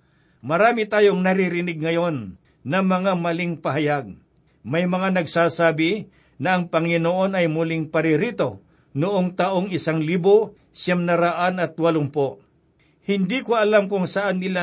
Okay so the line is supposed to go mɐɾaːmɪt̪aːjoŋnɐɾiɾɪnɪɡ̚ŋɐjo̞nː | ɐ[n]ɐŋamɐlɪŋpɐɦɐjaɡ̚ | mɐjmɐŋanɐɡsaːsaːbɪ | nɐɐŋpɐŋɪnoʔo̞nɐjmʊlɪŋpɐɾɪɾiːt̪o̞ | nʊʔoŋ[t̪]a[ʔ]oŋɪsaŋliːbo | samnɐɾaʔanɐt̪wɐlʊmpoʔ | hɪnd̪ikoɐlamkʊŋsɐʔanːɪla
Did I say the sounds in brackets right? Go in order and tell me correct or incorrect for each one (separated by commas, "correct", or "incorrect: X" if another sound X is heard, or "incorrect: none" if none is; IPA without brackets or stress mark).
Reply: incorrect: m, correct, correct